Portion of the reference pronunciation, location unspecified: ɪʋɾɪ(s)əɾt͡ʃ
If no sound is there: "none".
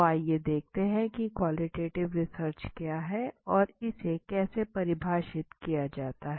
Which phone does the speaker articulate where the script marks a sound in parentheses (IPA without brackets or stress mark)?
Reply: s